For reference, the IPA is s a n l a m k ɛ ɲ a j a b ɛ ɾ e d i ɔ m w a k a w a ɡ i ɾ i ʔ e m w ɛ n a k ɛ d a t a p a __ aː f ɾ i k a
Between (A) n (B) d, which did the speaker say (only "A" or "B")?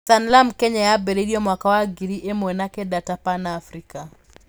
A